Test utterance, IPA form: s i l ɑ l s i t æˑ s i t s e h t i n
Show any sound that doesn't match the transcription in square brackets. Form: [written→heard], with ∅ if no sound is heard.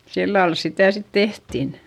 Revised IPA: s i [l→lː] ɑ l s i t æˑ s i t [s→t] e h t i n

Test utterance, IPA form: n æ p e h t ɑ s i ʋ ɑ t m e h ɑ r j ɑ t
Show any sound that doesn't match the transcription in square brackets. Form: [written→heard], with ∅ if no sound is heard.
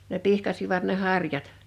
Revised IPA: n [æ→e] p [e→i] h [t→k] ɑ s i ʋ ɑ t [m→n] e h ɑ r j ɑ t

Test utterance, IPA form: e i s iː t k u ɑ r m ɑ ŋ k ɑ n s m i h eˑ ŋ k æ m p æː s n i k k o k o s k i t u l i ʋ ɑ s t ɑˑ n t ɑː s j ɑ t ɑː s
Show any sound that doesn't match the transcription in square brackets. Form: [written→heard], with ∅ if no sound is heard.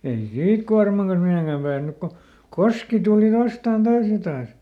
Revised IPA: e i s iː t k u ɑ r m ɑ ŋ k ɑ n s m i h eˑ ŋ k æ m p æː s n [i→y] k k o k o s k i t u l i ʋ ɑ s t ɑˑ n t ɑː s j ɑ t ɑː s

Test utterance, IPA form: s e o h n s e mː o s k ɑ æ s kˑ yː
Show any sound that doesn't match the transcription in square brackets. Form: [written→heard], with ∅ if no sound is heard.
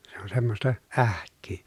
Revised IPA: s e o [h→∅] n s e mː o s [k→t] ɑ æ [s→h] kˑ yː

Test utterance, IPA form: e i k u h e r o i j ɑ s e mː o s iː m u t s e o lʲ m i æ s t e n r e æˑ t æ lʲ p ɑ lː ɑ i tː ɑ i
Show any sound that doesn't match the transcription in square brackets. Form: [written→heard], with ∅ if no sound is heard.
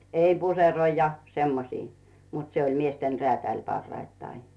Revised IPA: e i [k→p] u [h→s] e r o i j ɑ s e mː o s iː m u t s e o lʲ m i [æ→e] s t e n r e æˑ t æ lʲ p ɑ [lː→rː] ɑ i tː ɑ i

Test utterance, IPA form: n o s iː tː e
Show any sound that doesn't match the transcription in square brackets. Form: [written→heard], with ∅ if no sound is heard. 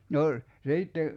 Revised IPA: n o s iː tː e

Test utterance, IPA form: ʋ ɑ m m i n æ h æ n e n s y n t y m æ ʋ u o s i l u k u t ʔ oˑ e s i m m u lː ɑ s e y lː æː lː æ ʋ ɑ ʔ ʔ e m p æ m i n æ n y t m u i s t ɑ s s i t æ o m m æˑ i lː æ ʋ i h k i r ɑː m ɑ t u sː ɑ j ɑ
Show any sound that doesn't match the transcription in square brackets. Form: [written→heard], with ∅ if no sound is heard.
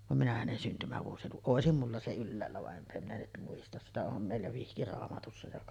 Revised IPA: ʋ ɑ m m i n æ h æ n e n s y n t y m æ ʋ u o s i l u k u [t→ʔ] ʔ oˑ e s i m m u lː ɑ s e y lː æː lː æ ʋ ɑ ʔ ʔ e m p æ m i n æ n y t m u i s t ɑ s s i t æ o m m [æˑ→eˑ] i lː æ ʋ i h k i r ɑː m ɑ t u sː ɑ j ɑ

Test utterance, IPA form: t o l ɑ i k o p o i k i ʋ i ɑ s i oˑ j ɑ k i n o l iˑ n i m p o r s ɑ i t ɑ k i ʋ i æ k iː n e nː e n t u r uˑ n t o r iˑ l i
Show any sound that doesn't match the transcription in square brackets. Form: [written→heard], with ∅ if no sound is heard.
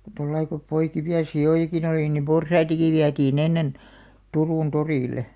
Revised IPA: t o [l→lː] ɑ i k o p o i k i ʋ i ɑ s i oˑ j ɑ k i n o l iˑ n i m p o r s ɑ i t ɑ k i ʋ i æ [k→t] iː n e nː e n t u r uˑ n t o r iˑ l [i→e]

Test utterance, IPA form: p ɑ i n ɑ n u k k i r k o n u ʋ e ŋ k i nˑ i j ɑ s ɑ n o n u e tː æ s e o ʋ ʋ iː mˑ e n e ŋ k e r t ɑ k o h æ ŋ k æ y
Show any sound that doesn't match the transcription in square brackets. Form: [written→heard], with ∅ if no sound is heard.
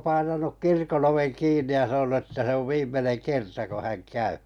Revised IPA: p ɑ i n ɑ n u k k i r k o n [u→o] ʋ e ŋ k [i→iː] nˑ i j ɑ s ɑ n o n u e tː æ s e o ʋ ʋ iː mˑ e n e ŋ k e r t ɑ k o h æ ŋ k æ y

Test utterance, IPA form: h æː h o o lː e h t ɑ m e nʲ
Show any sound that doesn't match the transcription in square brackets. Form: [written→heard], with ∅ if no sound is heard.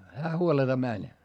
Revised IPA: h æː h [o→u] o [lː→l] e [h→∅] t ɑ m [e→æ] nʲ

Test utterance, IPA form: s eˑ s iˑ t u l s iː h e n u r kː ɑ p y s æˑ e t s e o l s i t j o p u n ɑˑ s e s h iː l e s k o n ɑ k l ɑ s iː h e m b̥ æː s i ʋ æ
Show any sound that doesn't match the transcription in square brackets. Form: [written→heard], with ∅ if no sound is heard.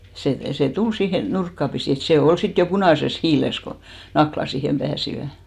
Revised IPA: s eˑ s [iˑ→eˑ] t u l s iː h e n u r kː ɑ p [y→i] s [æˑ→iˑ] e t s e o l s i t j o p u n ɑˑ s e s h iː l e s k o n ɑ k l ɑ s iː h e m b̥ æː s i ʋ æ

